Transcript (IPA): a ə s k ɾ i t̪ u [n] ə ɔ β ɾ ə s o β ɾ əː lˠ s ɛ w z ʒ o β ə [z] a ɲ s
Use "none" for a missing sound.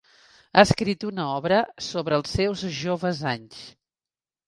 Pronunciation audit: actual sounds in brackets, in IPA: n, z

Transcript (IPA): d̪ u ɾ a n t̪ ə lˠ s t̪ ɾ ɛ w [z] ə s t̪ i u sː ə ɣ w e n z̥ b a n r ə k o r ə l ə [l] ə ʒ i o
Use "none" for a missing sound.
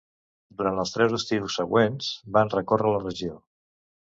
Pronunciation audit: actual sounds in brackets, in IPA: z, r

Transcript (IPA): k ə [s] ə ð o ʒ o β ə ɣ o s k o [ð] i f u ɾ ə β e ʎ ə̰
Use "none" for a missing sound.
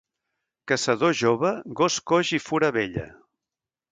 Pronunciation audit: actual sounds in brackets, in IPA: s, ʒ

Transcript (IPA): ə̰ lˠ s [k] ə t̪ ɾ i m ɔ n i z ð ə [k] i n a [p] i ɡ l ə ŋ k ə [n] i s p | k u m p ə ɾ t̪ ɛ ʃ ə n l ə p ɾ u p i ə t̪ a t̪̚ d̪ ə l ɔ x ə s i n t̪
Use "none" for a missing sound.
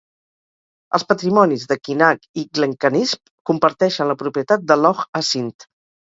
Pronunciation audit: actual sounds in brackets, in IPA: p, k, k, n

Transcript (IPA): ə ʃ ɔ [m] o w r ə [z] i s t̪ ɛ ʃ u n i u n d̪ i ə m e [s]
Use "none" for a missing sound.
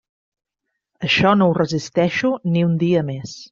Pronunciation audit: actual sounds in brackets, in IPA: n, z, s

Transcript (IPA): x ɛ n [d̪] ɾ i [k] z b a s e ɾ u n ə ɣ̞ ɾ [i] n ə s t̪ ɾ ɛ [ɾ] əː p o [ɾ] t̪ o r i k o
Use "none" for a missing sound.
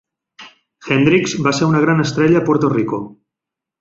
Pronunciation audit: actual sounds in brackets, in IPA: d̪, k, a, ʎ, ɾ

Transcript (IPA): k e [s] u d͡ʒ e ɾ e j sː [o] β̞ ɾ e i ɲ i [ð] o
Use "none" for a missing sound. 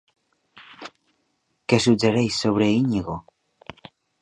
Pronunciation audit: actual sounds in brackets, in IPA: s, o, ɣ

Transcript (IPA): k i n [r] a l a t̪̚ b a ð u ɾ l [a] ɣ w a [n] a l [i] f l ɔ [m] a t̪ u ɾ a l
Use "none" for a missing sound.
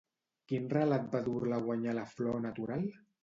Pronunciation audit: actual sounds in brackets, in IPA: r, a, ɲ, a, n

